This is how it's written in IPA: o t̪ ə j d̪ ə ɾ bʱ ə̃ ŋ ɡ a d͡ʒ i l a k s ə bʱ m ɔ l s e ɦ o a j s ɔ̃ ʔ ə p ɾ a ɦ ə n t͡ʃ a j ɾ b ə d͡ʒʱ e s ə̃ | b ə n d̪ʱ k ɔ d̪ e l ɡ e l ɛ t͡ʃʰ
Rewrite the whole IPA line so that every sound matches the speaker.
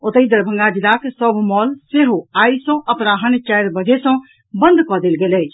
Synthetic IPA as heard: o t̪ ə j d̪ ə ɾ bʱ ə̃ ŋ ɡ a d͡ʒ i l a k s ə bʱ m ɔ l s e ɦ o a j s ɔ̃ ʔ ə p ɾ a ɦ ə n t͡ʃ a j ɾ b ə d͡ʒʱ e s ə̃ | b ə n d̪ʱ k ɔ d̪ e l ɡ e l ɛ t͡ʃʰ